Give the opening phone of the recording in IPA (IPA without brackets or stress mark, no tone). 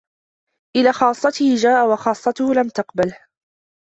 ʔ